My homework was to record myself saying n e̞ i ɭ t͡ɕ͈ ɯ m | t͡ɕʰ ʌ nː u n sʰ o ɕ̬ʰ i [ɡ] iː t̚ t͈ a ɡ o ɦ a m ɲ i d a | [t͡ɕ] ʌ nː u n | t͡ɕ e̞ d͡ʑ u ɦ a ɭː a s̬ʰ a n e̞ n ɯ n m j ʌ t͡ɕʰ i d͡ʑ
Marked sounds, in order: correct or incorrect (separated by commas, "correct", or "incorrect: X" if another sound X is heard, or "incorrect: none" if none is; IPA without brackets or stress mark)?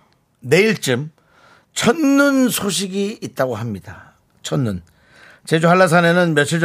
correct, incorrect: t͡ɕʰ